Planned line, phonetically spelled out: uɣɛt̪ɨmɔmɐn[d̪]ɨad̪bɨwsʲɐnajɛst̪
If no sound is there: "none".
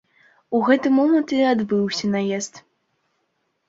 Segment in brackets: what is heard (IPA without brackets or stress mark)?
t̪